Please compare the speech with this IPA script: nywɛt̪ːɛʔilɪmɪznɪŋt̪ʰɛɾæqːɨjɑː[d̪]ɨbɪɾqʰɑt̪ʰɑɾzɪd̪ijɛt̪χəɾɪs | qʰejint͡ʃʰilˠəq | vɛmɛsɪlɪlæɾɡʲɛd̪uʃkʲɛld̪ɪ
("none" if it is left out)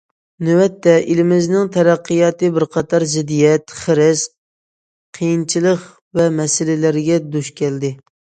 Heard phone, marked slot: t̪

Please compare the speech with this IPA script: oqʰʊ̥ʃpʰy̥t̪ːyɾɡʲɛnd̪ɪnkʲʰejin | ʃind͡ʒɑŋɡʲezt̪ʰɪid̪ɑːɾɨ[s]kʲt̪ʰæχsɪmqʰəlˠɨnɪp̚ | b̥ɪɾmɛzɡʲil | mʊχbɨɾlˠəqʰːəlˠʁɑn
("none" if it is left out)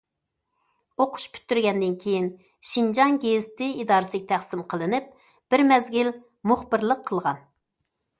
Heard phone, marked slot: s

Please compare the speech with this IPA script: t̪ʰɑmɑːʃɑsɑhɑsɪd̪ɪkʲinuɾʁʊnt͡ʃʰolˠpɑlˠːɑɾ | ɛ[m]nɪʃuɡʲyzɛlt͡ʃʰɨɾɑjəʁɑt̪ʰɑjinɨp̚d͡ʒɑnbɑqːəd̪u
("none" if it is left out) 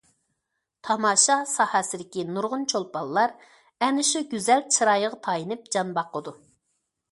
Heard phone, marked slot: none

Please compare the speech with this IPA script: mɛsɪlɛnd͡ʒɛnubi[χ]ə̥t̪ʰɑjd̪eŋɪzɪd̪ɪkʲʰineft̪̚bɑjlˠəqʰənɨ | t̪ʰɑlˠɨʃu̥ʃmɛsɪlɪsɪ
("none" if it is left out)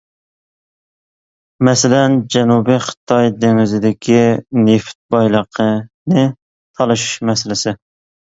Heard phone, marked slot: χ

